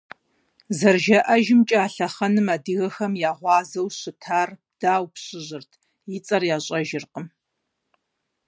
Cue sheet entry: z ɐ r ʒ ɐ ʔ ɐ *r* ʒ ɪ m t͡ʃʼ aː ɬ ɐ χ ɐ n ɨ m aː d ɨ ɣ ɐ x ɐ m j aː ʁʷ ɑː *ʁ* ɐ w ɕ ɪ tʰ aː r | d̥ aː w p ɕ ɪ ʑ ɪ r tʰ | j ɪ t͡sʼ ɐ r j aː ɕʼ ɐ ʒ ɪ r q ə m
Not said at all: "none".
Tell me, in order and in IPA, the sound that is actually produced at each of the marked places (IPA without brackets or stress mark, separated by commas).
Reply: none, z